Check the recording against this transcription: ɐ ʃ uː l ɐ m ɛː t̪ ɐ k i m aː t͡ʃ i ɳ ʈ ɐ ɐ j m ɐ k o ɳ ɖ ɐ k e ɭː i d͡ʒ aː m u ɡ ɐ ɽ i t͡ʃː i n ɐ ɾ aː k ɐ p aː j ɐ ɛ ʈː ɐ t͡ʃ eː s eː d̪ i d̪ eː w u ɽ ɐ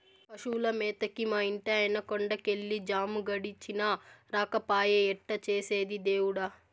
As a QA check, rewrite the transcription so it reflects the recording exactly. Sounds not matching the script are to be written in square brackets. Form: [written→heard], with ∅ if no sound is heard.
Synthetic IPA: ɐ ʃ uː l ɐ m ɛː t̪ ɐ k i m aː [t͡ʃ→∅] i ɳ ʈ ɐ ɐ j [m→n] ɐ k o ɳ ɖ ɐ k e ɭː i d͡ʒ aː m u ɡ ɐ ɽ i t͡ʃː i n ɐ ɾ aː k ɐ p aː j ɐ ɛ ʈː ɐ t͡ʃ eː s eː d̪ i d̪ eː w u ɽ ɐ